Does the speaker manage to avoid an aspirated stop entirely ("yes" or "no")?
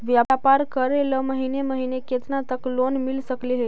yes